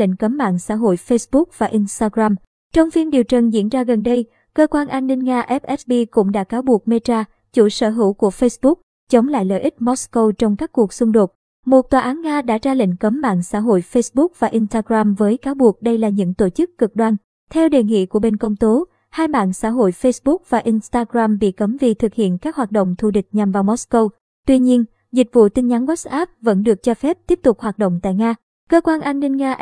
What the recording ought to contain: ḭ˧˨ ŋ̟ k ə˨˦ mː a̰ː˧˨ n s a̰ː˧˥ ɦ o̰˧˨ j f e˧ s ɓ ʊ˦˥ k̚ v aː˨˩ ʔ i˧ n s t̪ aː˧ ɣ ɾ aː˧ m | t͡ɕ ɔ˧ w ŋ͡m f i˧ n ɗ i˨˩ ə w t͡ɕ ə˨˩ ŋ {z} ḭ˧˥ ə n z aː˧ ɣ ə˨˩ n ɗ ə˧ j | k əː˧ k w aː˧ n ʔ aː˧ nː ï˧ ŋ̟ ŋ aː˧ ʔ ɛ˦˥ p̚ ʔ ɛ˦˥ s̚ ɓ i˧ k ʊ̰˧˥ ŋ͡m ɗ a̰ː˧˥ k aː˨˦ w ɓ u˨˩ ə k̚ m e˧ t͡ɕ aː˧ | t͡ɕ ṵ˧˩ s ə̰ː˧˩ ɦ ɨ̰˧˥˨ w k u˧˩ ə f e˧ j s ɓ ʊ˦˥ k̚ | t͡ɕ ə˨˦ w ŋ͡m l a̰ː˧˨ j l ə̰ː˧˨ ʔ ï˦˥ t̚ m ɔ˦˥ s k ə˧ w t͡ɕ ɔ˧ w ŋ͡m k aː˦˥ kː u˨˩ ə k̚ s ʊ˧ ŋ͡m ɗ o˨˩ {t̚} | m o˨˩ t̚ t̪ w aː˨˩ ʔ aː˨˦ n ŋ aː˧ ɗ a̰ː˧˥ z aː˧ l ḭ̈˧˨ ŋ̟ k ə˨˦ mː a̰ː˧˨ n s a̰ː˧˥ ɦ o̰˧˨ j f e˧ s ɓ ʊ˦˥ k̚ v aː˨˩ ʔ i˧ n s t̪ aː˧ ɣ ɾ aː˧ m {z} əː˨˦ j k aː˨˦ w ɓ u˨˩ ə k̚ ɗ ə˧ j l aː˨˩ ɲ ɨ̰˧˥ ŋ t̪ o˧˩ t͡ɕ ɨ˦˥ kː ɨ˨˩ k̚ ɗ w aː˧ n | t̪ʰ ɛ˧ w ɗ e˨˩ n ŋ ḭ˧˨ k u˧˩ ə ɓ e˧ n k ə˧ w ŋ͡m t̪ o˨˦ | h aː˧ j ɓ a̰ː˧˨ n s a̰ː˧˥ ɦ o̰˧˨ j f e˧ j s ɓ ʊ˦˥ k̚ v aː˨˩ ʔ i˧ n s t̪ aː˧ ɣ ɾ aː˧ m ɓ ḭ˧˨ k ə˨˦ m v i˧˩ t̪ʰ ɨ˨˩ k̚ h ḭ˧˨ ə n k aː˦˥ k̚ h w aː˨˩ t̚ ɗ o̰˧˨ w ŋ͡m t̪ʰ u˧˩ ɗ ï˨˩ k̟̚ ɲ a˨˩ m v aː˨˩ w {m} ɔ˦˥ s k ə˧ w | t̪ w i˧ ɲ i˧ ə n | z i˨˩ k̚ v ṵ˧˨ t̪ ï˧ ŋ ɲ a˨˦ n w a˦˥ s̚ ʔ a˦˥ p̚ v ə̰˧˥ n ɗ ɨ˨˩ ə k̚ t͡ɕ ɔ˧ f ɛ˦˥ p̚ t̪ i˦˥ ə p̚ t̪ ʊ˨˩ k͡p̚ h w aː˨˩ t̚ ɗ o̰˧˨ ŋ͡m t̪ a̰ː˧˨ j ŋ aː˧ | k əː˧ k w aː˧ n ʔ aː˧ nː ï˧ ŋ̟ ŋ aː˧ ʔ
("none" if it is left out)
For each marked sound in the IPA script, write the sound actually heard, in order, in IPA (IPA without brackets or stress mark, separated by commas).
z, t̚, v, m